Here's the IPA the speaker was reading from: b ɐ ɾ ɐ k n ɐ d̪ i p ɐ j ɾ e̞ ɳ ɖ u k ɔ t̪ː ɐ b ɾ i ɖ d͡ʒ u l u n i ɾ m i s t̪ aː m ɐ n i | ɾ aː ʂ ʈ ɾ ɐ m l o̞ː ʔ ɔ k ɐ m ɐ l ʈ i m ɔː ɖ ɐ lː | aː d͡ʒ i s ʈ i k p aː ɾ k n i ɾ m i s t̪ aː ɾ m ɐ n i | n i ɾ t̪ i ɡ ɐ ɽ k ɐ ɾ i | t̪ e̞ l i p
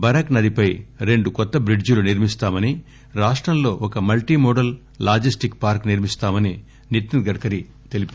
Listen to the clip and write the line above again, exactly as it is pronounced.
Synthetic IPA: b ɐ ɾ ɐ k n ɐ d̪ i p ɐ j ɾ e̞ ɳ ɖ u k ɔ t̪ː ɐ b ɾ i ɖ d͡ʒ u l u n i ɾ m i s t̪ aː m ɐ n i | ɾ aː ʂ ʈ ɾ ɐ m l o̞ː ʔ ɔ k ɐ m ɐ l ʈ i m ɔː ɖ ɐ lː | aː d͡ʒ i s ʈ i k p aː ɾ k n i ɾ m i s t̪ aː m ɐ n i | n i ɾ t̪ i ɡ ɐ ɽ k ɐ ɾ i | t̪ e̞ l i p